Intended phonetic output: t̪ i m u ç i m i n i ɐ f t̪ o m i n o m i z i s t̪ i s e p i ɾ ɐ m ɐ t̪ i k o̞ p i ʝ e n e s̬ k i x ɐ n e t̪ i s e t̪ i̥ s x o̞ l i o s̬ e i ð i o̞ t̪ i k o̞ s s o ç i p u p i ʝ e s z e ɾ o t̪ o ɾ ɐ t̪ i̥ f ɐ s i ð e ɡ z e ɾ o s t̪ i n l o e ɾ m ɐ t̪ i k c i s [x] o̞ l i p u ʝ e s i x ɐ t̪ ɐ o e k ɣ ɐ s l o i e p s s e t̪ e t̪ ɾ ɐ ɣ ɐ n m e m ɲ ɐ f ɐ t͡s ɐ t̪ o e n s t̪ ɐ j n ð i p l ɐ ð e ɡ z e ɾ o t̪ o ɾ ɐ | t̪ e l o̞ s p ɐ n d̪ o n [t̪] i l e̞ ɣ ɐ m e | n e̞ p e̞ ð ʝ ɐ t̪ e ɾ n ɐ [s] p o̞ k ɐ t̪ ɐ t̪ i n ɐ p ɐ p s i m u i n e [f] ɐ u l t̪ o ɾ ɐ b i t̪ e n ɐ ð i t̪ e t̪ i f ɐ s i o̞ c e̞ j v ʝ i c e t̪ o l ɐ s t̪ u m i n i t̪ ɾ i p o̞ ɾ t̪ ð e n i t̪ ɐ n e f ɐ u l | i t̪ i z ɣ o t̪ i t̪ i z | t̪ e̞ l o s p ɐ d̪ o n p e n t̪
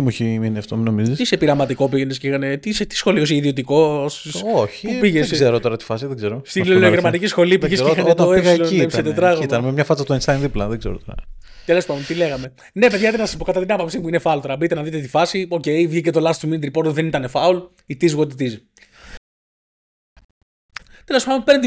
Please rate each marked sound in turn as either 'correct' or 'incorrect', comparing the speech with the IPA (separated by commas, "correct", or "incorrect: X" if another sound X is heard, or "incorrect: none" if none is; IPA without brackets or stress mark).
correct, correct, correct, correct